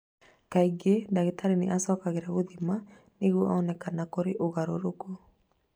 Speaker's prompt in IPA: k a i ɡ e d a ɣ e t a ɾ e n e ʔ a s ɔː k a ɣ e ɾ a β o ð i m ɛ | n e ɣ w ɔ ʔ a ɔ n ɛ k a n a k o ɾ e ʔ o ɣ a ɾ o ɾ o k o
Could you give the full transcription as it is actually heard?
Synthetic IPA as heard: k a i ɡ e d a ɣ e t a ɾ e n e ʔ a s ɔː k a ɣ e ɾ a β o ð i m a | n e ɣ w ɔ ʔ a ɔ n ɛ k a n a k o ɾ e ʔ o ɣ a ɾ o ɾ o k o